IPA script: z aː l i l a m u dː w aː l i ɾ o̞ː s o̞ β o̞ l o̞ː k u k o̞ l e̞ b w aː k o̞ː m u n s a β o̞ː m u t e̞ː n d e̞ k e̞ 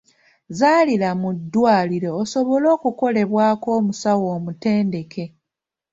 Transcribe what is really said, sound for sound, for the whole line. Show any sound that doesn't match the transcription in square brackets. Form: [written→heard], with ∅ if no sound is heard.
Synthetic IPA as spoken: z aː l i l a m u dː w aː l i ɾ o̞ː s o̞ β o̞ l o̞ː k u k o̞ l e̞ [b→β] w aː k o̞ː m u [n→∅] s a [β→w] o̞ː m u t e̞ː n d e̞ k e̞